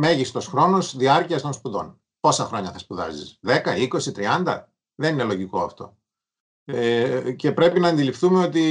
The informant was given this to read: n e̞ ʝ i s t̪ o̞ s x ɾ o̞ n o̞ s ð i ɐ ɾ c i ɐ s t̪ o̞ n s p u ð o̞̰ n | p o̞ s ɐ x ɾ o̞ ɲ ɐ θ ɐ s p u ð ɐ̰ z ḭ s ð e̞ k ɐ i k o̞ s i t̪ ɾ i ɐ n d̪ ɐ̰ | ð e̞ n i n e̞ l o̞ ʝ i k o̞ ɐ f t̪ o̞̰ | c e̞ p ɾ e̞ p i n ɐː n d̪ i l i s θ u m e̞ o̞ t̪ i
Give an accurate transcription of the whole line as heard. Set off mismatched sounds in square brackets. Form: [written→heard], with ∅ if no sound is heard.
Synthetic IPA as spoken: [n→m] e̞ ʝ i s t̪ o̞ s x ɾ o̞ n o̞ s ð i ɐ ɾ c i ɐ s t̪ o̞ n s p u ð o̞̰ n | p o̞ s ɐ x ɾ o̞ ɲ ɐ θ ɐ s p u ð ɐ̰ z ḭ s ð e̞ k ɐ i k o̞ s i t̪ ɾ i ɐ n d̪ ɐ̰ | ð e̞ n i n e̞ l o̞ ʝ i k o̞ ɐ f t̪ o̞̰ | c e̞ p ɾ e̞ p i n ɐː n d̪ i l i [s→f] θ u m e̞ o̞ t̪ i